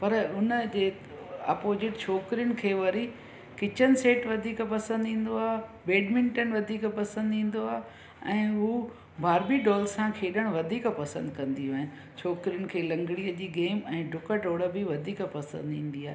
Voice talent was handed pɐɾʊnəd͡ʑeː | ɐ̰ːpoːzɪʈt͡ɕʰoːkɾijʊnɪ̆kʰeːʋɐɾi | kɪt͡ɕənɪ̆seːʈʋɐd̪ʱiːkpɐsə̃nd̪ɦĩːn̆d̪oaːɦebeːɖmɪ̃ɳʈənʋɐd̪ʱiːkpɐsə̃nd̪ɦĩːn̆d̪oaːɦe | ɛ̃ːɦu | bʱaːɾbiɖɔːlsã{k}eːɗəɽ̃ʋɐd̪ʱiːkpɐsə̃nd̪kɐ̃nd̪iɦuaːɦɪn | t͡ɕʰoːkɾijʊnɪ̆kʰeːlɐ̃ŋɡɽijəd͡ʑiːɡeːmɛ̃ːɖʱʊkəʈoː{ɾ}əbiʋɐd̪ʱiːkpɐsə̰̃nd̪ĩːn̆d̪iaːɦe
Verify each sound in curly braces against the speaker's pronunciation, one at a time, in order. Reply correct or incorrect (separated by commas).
incorrect, incorrect